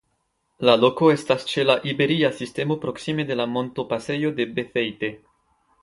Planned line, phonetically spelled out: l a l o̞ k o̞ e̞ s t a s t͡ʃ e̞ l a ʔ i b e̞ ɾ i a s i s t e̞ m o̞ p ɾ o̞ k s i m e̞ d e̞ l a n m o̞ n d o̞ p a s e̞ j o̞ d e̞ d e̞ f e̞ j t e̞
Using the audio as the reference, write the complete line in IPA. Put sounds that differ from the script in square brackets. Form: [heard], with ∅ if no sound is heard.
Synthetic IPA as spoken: l a l o̞ k o̞ e̞ s t a s t͡ʃ e̞ l a ʔ i b e̞ ɾ i a s i s t e̞ m o̞ p ɾ o̞ k s i m e̞ d e̞ l a [∅] m o̞ n [t] o̞ p a s e̞ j o̞ d e̞ [b] e̞ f e̞ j t e̞